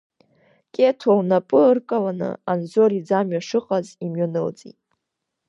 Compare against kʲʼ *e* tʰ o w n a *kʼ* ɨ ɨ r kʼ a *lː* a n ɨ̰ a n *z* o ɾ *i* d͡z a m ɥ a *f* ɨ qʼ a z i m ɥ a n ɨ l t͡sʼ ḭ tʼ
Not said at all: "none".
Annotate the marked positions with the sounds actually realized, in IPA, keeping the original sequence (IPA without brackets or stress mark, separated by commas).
e, pʼ, l, z, i, ʂ